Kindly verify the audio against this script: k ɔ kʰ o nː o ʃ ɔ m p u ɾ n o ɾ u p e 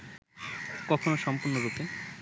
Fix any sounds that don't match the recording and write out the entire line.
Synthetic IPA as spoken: k ɔ kʰ o n o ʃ ɔ m p u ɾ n o ɾ u p e